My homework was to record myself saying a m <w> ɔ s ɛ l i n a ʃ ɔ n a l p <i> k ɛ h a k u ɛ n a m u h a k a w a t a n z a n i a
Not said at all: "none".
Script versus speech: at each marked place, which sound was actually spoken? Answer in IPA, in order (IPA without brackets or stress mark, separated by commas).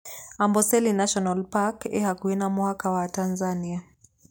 b, a